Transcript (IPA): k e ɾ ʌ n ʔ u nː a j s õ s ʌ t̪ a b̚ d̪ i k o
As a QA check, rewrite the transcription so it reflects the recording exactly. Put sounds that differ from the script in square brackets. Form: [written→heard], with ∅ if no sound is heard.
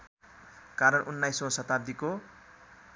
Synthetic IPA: k [e→a] ɾ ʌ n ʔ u nː a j s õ s ʌ t̪ a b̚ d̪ i k o